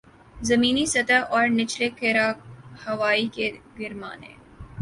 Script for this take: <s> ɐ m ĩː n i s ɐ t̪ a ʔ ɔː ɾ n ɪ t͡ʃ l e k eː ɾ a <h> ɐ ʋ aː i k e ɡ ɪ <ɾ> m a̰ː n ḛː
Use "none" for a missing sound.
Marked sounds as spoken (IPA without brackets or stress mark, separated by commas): z, h, ɾ